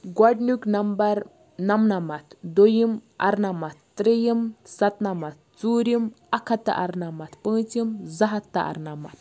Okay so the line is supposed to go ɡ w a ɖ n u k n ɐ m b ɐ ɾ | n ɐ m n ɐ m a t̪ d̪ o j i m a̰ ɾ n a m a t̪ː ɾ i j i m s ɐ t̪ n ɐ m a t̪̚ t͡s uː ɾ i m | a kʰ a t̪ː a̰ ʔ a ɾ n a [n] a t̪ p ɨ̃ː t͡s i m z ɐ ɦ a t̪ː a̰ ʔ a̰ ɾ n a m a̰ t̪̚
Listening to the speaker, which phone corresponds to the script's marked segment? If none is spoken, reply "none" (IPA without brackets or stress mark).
m